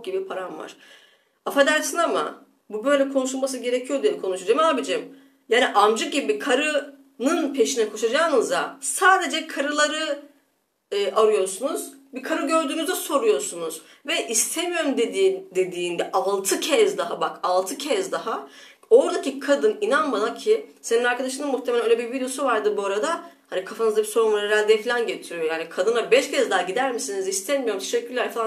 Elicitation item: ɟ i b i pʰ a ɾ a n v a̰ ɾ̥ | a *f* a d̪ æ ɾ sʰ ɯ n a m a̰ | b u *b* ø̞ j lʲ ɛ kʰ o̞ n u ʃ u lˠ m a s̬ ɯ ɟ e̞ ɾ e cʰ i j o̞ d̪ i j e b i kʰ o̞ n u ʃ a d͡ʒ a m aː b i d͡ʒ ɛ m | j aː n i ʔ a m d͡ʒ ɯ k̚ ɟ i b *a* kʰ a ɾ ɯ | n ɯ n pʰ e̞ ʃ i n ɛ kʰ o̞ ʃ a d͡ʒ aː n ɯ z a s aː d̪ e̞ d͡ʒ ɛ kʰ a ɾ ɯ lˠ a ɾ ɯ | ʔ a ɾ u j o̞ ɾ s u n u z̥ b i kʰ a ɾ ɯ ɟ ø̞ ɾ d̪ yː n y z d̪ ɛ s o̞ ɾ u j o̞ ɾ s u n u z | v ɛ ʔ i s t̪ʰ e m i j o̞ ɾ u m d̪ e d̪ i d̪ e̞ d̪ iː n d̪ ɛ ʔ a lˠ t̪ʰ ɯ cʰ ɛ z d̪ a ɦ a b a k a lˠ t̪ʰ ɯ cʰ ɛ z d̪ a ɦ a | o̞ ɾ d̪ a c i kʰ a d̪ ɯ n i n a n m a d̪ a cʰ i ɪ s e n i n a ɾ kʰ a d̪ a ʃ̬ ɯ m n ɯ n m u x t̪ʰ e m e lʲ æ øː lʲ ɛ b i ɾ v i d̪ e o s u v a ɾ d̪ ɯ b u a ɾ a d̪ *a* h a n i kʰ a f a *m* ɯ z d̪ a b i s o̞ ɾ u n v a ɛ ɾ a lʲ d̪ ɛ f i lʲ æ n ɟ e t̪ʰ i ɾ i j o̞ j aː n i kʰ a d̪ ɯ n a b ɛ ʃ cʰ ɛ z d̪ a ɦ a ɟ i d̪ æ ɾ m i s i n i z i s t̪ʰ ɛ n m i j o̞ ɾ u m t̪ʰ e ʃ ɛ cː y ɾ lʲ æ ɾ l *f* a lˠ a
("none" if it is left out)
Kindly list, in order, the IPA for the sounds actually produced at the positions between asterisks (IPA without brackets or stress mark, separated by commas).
f, b, i, a, n, f